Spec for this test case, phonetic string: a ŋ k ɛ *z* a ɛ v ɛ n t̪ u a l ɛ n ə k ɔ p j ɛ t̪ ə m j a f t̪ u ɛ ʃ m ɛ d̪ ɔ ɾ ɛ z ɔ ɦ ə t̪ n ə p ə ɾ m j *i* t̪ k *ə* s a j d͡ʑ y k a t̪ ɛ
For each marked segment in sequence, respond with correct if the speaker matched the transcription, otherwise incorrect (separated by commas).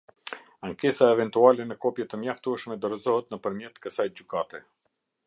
incorrect, incorrect, correct